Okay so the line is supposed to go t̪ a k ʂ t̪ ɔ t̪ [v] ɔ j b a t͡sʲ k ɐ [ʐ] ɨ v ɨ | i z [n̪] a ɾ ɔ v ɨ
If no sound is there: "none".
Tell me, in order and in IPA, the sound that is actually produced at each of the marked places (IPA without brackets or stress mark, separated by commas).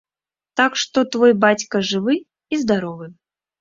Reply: v, ʐ, d̪